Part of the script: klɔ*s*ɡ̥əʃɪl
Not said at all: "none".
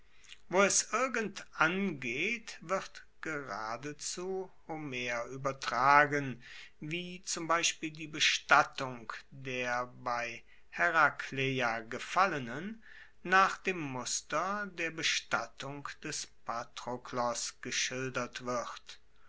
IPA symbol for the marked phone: s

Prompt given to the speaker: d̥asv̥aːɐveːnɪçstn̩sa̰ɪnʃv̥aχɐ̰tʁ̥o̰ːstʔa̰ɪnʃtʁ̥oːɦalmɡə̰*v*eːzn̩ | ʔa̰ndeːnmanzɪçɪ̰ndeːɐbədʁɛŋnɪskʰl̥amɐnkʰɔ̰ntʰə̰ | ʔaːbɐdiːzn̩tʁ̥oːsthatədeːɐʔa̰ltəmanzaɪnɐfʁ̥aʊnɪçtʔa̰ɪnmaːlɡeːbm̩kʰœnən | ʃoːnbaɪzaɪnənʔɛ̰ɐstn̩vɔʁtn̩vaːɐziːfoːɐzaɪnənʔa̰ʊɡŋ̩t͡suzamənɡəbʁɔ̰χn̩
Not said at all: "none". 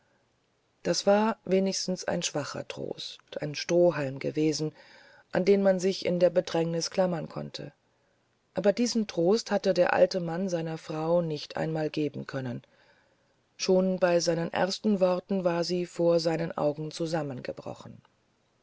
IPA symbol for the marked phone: v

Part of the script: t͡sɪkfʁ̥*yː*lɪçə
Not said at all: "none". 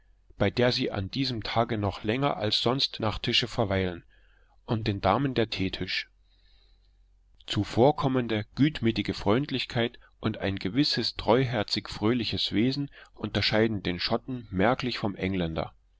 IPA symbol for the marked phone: øː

